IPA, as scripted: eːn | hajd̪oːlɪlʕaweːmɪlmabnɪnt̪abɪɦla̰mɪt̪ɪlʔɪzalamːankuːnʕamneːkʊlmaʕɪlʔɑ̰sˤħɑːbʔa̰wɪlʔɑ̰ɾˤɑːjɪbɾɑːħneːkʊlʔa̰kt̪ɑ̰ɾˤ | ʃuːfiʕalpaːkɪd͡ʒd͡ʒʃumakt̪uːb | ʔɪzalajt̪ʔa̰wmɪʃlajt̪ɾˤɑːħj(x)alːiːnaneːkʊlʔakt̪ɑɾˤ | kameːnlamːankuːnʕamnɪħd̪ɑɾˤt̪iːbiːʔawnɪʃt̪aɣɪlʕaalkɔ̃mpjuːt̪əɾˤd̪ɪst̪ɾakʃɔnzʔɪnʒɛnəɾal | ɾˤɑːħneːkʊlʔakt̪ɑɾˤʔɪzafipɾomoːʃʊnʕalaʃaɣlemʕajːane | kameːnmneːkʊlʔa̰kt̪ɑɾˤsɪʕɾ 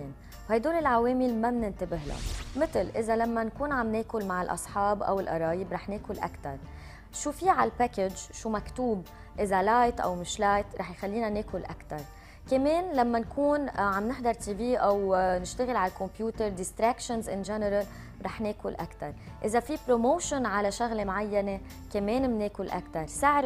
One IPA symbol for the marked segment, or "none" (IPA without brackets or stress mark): x